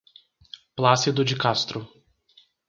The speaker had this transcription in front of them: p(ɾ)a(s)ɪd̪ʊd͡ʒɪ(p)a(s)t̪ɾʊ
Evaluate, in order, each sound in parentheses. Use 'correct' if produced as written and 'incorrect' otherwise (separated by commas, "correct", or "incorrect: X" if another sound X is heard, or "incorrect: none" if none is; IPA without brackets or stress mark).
incorrect: l, correct, incorrect: k, correct